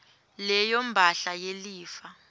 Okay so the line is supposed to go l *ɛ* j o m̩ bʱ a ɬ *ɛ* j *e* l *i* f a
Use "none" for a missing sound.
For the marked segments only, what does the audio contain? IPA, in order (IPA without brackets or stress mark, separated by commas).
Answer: ɛ, a, e, iː